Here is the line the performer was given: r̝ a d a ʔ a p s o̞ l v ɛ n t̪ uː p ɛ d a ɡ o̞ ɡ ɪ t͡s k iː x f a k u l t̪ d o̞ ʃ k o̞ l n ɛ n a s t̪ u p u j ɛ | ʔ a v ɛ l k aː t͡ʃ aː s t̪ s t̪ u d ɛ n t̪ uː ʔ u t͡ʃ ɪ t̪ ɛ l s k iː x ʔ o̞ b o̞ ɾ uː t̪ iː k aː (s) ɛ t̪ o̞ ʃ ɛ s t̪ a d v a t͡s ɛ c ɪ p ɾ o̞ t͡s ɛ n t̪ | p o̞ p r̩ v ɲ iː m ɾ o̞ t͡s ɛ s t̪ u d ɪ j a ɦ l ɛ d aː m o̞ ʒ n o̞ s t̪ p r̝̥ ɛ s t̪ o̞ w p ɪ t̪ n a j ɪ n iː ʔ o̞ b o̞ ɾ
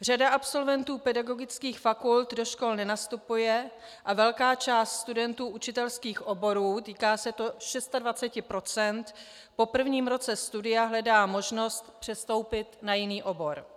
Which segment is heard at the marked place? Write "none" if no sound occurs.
s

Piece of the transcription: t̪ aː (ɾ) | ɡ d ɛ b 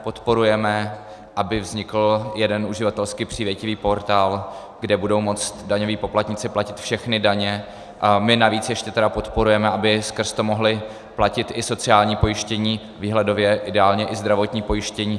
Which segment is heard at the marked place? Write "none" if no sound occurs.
l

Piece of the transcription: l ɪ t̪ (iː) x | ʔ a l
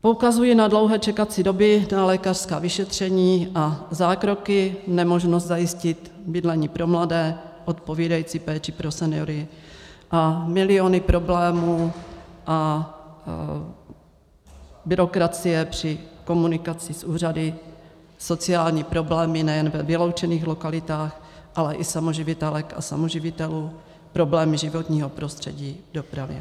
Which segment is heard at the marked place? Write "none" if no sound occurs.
aː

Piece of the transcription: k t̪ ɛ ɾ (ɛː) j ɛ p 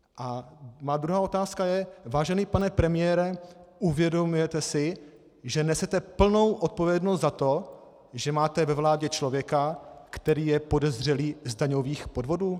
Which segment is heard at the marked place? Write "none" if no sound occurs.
iː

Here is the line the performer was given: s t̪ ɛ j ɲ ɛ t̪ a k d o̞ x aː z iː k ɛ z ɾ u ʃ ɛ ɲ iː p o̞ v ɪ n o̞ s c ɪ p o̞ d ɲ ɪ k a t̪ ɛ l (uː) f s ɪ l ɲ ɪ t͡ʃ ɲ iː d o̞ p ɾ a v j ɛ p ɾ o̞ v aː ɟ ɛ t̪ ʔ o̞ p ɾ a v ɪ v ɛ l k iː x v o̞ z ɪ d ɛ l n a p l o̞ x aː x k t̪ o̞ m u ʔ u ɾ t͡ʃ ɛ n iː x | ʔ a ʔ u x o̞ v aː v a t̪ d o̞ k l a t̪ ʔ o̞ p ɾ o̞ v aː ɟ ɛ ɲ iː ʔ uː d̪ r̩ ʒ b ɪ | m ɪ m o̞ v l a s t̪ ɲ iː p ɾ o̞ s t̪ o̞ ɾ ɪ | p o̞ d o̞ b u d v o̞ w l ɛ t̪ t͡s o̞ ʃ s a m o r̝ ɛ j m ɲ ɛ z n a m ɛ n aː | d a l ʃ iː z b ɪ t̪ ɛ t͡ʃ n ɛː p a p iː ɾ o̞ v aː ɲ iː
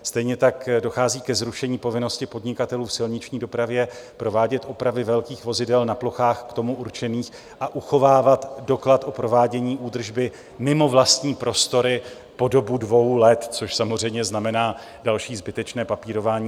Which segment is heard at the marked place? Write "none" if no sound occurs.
uː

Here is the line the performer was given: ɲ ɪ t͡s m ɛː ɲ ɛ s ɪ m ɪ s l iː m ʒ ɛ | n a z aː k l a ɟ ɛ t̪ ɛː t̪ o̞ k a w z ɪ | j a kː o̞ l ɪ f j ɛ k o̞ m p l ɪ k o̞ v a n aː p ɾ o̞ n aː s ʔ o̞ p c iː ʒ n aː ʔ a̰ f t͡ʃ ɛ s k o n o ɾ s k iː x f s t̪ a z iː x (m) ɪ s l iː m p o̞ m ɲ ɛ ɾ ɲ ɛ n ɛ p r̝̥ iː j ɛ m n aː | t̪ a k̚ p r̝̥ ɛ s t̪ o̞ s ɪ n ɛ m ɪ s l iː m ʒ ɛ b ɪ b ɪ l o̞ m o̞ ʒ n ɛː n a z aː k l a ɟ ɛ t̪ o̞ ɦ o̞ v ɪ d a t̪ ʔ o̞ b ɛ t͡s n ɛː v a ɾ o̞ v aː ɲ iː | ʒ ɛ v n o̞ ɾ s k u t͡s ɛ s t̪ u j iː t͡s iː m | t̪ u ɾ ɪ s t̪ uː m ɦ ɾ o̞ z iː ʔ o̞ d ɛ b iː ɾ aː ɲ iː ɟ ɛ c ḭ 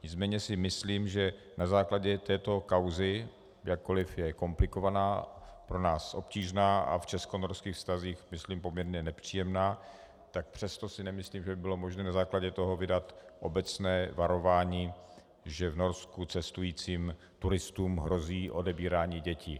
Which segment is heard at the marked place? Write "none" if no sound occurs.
m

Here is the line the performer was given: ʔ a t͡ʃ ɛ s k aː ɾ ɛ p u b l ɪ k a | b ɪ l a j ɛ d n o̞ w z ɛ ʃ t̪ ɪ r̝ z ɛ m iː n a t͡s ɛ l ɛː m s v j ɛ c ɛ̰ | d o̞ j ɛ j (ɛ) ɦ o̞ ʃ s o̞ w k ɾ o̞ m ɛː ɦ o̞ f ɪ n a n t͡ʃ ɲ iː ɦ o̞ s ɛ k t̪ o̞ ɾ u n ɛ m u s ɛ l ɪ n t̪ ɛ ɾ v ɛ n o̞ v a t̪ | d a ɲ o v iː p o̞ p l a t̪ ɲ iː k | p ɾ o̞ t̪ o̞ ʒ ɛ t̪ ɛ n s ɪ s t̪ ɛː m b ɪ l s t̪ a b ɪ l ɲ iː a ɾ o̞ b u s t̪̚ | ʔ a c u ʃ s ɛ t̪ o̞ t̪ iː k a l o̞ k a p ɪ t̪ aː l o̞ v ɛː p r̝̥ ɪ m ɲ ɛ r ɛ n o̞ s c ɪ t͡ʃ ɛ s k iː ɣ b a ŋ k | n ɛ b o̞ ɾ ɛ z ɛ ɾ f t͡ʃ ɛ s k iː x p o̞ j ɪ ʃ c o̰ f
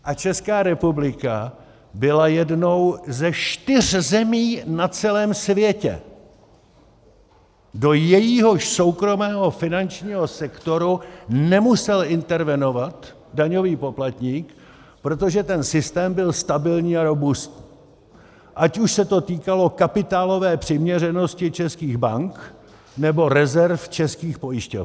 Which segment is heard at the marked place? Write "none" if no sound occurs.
i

